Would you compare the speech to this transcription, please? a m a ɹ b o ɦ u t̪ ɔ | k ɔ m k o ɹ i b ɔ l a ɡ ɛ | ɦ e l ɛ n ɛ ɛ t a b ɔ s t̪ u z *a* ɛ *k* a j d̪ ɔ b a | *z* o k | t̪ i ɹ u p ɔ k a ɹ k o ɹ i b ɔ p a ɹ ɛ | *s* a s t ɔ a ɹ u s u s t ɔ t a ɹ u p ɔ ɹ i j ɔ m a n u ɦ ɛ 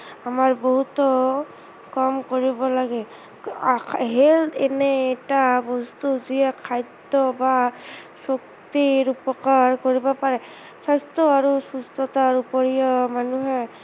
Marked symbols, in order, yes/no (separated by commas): no, no, no, yes